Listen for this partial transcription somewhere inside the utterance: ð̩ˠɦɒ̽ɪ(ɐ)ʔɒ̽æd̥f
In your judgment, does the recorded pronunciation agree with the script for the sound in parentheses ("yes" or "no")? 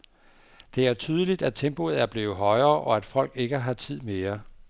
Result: no